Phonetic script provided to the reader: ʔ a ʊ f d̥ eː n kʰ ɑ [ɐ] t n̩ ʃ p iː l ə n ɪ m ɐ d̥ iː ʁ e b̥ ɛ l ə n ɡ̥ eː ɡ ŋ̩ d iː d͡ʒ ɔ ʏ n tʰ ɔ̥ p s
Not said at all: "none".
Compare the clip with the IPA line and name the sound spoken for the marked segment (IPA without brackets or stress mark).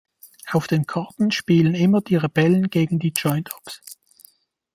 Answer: ɐ